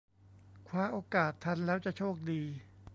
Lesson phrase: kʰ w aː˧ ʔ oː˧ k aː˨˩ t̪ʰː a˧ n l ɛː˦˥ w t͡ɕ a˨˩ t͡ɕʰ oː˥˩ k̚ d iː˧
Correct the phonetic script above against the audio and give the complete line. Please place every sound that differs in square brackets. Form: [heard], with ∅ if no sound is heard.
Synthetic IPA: kʰ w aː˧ ʔ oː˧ k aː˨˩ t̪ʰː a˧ n l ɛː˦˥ w t͡ɕ a˨˩ t͡ɕʰ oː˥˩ k̚ d iː˧